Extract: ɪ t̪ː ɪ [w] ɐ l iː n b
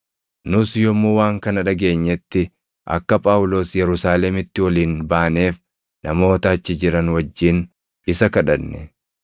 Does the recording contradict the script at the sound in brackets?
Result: no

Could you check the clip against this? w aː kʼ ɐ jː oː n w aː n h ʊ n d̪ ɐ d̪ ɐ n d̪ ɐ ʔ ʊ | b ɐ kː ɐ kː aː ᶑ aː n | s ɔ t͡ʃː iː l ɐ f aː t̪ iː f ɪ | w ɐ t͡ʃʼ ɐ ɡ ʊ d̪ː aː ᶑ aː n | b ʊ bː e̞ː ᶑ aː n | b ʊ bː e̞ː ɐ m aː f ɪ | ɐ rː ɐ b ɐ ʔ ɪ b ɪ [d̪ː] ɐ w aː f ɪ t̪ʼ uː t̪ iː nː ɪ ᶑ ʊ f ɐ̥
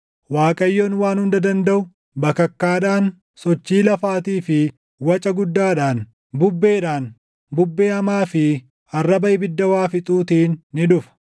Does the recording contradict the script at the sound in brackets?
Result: no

